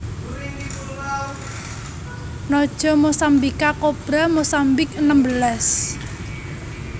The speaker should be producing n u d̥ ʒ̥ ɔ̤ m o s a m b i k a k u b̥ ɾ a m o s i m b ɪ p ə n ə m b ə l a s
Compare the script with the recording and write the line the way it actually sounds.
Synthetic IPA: n ɔ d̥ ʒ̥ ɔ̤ m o s a m b i k a k o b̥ ɾ a m o s a m b ɪ k ə n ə m b ə l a s